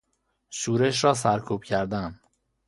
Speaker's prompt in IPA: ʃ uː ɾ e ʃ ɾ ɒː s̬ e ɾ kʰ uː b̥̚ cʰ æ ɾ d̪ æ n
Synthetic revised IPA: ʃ uː ɾ e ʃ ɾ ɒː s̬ æ ɾ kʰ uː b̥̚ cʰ æ ɾ d̪ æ n